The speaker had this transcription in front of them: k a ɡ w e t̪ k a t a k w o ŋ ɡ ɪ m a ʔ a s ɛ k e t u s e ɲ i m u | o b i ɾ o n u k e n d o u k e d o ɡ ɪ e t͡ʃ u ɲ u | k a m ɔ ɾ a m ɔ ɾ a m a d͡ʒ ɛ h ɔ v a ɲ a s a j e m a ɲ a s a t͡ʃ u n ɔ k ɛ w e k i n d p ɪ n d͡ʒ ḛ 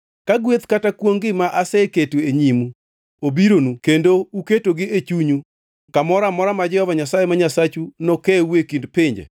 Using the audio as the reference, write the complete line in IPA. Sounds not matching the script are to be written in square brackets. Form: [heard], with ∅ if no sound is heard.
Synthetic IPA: k a ɡ w e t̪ k a t a k w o ŋ ɡ ɪ m a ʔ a s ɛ k e t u [∅] e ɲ i m u | o b i ɾ o n u k e n d o u k e [t] o ɡ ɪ e t͡ʃ u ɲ u | k a m ɔ ɾ a m ɔ ɾ a m a d͡ʒ ɛ h ɔ v a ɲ a s a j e m a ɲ a s a t͡ʃ u n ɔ k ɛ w e k i n d p ɪ [ɲ] d͡ʒ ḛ